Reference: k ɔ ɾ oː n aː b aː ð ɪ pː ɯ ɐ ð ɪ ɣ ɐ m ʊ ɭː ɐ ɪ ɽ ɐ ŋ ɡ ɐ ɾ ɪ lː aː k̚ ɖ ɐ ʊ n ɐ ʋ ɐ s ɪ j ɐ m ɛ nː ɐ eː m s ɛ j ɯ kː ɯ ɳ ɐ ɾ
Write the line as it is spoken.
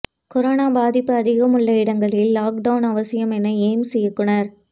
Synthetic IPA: k ɔ ɾ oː n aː b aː ð ɪ pː ɯ ɐ ð ɪ ɣ ɐ m ʊ ɭː ɐ ɪ ɽ ɐ ŋ ɡ ɐ ɭ ɪ lː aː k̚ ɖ ɐ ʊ n ɐ ʋ ɐ s ɪ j ɐ m ɛ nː ɐ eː m s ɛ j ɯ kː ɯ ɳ ɐ ɾ

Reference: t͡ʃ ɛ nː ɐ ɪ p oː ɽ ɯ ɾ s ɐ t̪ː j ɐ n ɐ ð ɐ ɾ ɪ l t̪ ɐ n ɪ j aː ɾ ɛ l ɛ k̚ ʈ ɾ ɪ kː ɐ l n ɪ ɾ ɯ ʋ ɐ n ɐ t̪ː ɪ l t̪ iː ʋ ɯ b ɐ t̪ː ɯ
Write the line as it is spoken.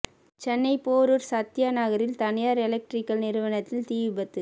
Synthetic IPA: t͡ʃ ɛ nː ɐ ɪ p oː ɾ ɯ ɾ s ɐ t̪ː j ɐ n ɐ ɣ ɐ ɾ ɪ l t̪ ɐ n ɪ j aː ɾ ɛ l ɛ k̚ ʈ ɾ ɪ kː ɐ l n ɪ ɾ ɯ ʋ ɐ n ɐ t̪ː ɪ l t̪ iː ʋ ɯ b ɐ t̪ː ɯ

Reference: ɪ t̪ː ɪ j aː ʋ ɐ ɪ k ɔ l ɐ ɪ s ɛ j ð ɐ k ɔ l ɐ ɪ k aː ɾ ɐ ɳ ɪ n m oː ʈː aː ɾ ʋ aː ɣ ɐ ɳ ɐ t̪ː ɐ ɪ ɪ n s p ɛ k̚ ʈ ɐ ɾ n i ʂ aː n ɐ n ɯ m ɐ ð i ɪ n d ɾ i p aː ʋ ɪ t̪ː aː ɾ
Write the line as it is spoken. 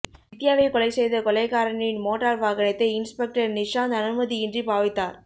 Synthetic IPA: ɪ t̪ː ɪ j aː ʋ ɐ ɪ k ɔ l ɐ ɪ s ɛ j ð ɐ k ɔ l ɐ ɪ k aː ɾ ɐ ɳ ɪ n m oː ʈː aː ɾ ʋ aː ɣ ɐ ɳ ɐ t̪ː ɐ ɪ ɪ n s p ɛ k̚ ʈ ɐ ɾ n ɪ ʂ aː n ɐ n ɯ m ɐ ð i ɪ n d r i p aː ʋ ɪ t̪ː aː ɾ

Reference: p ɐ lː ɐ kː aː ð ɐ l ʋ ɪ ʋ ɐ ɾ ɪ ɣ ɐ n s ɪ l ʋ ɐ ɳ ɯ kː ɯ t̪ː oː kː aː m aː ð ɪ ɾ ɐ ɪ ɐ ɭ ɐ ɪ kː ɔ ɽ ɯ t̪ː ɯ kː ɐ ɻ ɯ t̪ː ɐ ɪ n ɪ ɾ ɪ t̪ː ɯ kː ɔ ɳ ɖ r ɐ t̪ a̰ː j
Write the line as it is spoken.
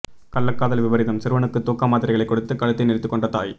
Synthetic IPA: k ɐ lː ɐ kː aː ð ɐ l ʋ ɪ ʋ ɐ ɾ ɪ ð ɐ m s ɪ ɾ ʋ ɐ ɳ ɯ kː ɯ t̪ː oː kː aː m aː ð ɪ ɾ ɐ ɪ ɐ ɭ ɐ ɪ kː ɔ ɽ ɯ t̪ː ɯ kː ɐ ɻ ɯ t̪ː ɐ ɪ n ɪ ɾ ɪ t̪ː ɯ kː ɔ ɳ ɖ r ɐ t̪ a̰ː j

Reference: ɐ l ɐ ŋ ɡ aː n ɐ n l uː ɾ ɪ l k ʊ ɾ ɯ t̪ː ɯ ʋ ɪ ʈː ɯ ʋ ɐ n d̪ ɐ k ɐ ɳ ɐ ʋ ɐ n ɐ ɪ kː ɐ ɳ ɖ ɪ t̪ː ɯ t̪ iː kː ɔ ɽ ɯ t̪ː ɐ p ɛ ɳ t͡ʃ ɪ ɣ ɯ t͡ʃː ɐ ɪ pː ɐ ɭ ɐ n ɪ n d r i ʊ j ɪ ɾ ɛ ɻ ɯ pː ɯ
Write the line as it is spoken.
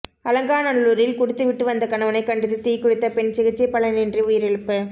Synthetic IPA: ɐ l ɐ ŋ ɡ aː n ɐ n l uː ɾ ɪ l k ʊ ɽ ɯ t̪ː ɯ ʋ ɪ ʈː ɯ ʋ ɐ n d̪ ɐ k ɐ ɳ ɐ ʋ ɐ n ɐ ɪ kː ɐ ɳ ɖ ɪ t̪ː ɯ t̪ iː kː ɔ ɽ ɯ t̪ː ɐ p ɛ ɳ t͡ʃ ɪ ɣ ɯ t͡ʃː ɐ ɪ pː ɐ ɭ ɐ n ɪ n d r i ʊ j ɪ ɾ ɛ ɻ ɯ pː ɯ

